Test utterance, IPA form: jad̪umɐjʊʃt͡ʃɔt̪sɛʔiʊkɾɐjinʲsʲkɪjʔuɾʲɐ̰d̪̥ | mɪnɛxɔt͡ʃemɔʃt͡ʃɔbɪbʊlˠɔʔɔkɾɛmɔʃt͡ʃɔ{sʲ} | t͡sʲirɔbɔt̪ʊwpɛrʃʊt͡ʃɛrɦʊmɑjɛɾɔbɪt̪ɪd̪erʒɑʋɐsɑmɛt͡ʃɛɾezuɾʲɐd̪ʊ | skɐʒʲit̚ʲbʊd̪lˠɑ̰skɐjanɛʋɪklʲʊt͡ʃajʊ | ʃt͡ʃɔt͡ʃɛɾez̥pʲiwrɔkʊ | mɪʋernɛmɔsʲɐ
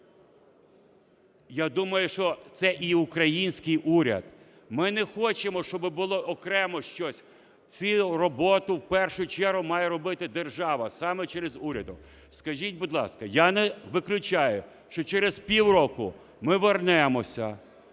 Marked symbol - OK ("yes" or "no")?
yes